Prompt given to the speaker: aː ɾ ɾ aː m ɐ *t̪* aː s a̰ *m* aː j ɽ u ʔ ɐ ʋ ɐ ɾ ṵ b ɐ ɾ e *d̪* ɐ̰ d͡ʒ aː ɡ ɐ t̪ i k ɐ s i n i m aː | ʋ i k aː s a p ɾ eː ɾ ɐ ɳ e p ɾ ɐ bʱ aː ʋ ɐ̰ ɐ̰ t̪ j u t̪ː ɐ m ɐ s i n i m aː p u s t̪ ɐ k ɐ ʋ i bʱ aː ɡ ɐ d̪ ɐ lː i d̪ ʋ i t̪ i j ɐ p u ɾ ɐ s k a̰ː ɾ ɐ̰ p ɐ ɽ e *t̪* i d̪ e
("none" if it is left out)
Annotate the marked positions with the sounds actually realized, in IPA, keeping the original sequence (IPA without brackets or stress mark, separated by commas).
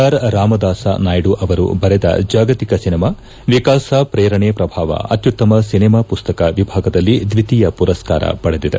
d̪, n, d̪, d̪